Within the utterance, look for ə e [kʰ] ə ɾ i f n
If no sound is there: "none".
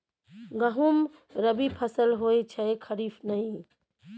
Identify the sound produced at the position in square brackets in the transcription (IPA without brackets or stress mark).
kʰ